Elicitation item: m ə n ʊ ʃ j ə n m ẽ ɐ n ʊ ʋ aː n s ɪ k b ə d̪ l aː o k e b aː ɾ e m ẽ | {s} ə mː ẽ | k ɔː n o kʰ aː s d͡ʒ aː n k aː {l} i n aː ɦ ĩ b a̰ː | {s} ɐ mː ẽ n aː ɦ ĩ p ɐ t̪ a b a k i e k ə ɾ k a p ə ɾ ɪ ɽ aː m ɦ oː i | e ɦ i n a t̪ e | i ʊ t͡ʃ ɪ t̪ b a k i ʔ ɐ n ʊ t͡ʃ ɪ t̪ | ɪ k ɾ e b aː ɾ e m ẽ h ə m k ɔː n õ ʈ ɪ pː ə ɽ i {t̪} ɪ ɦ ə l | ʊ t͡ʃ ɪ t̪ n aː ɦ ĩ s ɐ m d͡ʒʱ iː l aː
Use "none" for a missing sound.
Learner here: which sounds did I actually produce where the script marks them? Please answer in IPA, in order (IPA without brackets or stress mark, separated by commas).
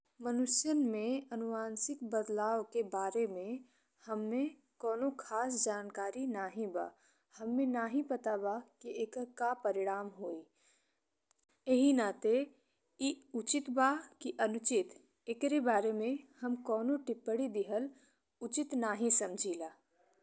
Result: h, ɾ, h, d̪